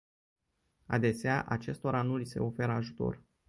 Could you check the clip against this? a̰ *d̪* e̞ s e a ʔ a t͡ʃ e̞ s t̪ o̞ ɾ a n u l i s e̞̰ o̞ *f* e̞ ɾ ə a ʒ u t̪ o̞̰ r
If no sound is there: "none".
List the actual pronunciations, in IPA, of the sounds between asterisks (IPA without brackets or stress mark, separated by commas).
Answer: d̪, f